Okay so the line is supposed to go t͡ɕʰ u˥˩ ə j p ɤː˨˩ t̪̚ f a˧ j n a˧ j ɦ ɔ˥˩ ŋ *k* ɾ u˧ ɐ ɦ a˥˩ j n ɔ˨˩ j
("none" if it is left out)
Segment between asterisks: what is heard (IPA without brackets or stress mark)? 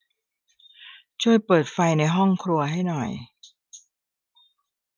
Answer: kʰ